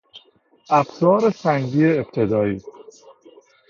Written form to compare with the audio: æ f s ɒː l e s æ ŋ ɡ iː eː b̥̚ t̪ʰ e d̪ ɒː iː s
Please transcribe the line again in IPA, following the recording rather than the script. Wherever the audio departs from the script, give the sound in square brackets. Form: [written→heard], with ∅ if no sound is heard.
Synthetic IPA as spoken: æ f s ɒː [l→ɾ] e s æ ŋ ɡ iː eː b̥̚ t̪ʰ e d̪ ɒː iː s